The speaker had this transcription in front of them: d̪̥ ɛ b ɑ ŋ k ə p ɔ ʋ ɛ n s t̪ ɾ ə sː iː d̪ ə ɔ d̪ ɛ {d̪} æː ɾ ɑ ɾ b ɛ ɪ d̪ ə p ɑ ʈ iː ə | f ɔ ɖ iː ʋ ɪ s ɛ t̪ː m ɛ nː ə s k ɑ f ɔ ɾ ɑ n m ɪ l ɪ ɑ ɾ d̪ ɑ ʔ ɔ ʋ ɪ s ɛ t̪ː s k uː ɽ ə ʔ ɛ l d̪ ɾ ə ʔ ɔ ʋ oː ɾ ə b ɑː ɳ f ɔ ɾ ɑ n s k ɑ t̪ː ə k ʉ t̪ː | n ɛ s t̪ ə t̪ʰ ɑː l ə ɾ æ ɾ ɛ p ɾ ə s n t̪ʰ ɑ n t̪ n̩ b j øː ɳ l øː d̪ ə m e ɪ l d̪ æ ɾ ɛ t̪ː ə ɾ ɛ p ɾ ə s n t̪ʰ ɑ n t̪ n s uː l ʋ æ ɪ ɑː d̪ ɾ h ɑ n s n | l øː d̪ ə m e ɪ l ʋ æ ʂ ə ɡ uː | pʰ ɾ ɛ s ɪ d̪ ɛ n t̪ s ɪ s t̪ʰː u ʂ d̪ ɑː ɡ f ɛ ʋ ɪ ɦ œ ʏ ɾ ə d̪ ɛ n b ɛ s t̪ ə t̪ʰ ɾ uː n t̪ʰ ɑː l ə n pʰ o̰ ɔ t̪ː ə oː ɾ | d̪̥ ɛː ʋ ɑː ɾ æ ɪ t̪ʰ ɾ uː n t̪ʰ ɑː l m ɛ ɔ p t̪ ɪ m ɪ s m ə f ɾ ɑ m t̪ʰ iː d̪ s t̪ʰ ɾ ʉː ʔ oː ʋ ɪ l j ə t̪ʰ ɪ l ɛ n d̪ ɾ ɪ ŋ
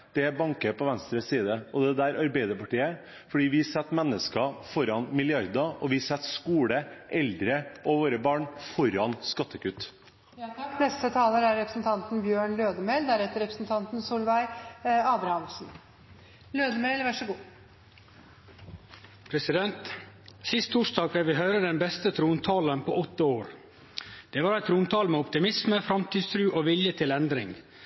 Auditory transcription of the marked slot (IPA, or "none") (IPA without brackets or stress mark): d̪